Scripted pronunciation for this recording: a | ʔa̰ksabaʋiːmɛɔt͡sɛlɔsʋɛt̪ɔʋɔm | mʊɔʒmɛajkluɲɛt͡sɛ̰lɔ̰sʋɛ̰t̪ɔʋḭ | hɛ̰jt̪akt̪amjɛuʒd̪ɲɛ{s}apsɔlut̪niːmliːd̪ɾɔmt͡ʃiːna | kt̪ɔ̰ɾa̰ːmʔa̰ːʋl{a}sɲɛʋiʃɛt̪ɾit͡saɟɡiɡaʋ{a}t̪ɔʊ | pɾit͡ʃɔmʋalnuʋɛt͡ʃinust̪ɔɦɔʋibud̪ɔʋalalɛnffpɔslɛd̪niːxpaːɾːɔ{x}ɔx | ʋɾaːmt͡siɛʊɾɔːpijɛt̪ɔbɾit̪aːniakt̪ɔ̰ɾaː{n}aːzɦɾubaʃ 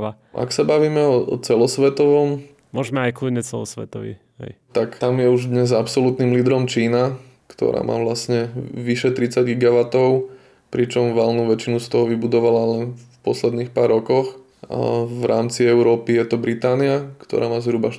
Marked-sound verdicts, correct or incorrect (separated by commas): incorrect, correct, correct, incorrect, incorrect